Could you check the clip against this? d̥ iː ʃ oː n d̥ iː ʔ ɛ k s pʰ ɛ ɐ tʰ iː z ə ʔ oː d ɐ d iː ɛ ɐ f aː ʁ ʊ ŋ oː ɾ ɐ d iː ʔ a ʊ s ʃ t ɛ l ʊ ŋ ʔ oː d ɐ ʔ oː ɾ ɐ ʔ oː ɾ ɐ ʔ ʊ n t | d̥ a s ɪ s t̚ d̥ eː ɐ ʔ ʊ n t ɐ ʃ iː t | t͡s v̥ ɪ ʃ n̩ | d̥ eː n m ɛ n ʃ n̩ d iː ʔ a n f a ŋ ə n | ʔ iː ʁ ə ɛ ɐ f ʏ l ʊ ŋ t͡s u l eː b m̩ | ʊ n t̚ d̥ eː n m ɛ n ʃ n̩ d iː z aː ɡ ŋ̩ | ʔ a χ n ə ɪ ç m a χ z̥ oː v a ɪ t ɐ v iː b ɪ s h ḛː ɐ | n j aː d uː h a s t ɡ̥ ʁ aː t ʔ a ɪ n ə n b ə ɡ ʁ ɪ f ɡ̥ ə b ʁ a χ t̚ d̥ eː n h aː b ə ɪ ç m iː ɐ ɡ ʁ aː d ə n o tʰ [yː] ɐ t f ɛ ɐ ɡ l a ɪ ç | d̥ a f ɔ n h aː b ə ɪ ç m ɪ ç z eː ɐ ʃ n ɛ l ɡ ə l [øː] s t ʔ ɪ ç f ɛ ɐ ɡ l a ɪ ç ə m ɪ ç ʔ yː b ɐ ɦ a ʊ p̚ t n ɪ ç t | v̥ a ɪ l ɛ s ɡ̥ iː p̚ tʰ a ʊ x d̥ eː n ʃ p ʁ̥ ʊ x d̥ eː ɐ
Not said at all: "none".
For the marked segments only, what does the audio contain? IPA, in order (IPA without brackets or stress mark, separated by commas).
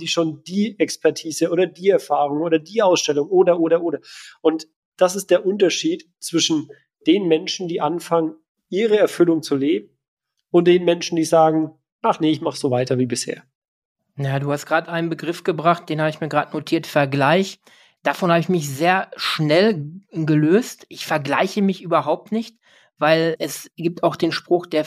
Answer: iː, øː